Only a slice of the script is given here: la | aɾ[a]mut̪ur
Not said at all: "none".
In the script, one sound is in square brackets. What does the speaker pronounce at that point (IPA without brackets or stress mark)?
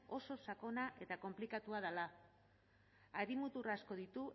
i